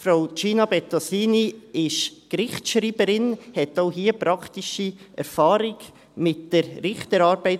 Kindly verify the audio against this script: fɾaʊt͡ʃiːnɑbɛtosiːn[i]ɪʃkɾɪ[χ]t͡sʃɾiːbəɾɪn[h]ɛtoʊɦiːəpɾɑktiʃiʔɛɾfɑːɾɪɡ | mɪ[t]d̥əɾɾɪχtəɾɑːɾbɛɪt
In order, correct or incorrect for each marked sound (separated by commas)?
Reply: correct, correct, correct, correct